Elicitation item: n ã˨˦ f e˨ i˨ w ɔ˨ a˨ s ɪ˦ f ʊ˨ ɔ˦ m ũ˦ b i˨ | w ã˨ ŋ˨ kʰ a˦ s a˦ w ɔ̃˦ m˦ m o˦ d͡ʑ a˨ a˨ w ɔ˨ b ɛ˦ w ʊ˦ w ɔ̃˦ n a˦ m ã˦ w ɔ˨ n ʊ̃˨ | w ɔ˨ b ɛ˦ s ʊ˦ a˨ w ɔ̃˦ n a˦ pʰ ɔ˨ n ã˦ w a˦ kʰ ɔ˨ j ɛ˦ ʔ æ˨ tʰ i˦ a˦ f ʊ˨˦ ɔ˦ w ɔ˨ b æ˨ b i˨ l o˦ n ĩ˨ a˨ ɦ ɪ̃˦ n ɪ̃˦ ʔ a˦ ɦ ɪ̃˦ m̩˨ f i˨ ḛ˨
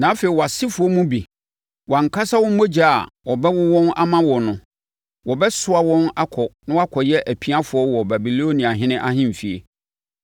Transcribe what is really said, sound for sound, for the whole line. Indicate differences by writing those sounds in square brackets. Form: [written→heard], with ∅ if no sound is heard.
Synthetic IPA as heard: n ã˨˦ f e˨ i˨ w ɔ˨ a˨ s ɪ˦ f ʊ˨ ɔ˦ m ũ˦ b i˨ | w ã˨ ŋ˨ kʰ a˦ s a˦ w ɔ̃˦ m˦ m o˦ d͡ʑ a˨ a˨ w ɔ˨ b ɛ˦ w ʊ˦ w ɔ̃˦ n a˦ m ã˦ w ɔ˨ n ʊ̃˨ | w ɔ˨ b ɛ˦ s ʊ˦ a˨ w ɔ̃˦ n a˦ [pʰ→kʰ] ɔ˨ n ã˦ w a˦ kʰ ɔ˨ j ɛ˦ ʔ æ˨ [tʰ→pʰ] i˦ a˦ f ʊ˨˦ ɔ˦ w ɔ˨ b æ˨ b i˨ l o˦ n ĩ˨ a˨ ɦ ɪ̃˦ n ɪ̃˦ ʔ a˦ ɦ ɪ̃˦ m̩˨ f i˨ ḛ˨